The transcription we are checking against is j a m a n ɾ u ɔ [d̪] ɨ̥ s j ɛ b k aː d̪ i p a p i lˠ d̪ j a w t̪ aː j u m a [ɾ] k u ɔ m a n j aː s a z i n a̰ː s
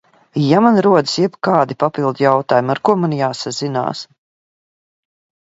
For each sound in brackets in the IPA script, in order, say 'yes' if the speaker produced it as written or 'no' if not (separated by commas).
yes, yes